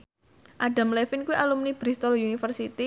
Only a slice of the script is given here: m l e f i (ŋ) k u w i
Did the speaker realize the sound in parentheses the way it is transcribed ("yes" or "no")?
no